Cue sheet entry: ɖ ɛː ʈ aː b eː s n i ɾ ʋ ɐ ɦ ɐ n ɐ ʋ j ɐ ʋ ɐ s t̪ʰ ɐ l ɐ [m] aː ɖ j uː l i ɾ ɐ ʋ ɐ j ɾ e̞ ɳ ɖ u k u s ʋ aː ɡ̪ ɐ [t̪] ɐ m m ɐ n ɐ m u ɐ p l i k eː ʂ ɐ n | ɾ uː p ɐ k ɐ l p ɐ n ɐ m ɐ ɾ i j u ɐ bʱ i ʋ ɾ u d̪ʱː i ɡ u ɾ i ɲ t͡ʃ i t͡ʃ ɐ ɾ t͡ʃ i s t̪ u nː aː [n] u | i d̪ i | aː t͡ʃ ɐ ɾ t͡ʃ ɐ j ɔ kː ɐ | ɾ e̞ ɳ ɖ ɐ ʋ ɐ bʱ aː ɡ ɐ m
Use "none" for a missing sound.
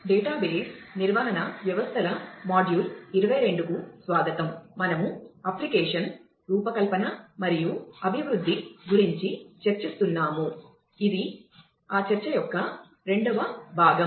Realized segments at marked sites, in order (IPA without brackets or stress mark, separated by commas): m, t̪, m